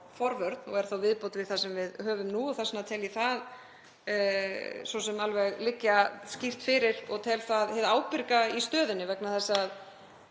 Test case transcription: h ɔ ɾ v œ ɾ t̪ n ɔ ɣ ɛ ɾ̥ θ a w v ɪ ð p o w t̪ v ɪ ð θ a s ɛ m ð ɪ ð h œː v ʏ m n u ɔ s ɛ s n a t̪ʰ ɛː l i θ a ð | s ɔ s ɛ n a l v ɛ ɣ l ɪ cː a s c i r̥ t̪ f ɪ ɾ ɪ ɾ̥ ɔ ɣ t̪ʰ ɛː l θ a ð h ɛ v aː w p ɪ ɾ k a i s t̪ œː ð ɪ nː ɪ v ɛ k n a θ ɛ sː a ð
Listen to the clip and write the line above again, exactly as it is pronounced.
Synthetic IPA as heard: f ɔ ɾ v œ ɾ t̪ n ɔ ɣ ɛ ɾ̥ θ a w v ɪ ð p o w t̪ v ɪ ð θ a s ɛ m v ɪ ð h œː v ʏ m n u ɔ θ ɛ s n a t̪ʰ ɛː l i θ a ð | s ɔ s ɛ m a l v ɛ ɣ l ɪ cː a s c i r̥ t̪ f ɪ ɾ ɪ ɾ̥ ɔ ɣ t̪ʰ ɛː l θ a ð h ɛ ð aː w p ɪ ɾ k a i s t̪ œː ð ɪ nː ɪ v ɛ k n a θ ɛ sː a ð